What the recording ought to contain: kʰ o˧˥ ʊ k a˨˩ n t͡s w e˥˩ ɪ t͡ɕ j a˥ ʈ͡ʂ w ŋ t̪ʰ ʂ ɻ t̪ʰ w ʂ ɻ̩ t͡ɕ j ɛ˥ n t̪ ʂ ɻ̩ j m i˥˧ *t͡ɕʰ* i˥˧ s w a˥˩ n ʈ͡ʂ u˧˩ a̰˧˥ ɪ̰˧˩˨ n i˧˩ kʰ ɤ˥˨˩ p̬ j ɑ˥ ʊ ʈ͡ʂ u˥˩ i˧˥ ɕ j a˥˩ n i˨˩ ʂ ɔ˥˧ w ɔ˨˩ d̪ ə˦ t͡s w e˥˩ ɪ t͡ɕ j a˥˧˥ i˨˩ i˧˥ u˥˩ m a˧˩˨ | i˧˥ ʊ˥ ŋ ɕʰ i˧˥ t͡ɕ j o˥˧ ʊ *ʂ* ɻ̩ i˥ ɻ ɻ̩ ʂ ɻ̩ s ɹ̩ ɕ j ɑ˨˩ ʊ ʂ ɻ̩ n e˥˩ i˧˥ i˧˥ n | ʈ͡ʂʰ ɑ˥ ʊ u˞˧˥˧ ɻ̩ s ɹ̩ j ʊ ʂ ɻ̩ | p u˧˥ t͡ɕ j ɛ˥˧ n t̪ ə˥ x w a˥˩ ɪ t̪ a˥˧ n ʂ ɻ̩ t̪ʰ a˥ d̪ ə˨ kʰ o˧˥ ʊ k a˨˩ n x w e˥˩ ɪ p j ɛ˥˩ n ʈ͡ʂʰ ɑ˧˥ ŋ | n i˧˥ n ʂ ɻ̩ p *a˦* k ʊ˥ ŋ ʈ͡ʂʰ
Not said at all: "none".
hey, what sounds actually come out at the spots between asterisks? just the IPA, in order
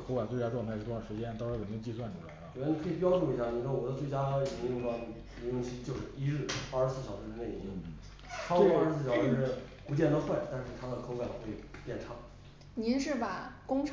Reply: t͡ɕ, ʂ, a˨˩

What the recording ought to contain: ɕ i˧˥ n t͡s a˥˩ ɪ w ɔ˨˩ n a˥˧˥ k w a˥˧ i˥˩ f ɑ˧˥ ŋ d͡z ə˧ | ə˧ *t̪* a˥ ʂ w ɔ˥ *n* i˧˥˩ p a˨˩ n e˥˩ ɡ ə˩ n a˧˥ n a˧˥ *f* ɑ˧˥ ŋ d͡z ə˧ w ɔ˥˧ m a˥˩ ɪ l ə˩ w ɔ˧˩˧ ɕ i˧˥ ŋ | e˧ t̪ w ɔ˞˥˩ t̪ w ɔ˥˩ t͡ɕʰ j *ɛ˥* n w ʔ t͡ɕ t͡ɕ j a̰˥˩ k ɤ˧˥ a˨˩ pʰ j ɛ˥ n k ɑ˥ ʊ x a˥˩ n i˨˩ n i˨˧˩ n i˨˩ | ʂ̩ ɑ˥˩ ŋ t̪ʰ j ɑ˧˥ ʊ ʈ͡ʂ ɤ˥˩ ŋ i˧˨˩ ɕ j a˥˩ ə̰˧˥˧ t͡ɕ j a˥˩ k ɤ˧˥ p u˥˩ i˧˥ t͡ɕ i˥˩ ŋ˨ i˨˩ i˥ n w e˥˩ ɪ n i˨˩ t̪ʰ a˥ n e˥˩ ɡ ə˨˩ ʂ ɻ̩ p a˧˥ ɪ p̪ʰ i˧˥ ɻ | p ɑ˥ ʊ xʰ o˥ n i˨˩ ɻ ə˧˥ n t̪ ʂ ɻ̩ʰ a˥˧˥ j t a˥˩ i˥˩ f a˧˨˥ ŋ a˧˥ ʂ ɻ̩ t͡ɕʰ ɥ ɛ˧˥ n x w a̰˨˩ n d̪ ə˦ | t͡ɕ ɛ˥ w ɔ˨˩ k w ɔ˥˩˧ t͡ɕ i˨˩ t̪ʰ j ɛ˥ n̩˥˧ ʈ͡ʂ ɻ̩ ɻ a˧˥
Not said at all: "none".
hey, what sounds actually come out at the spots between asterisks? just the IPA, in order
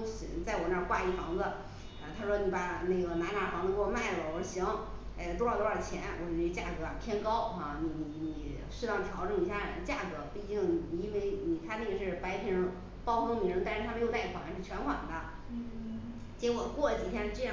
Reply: t̪ʰ, n, f, ɛ˧˥

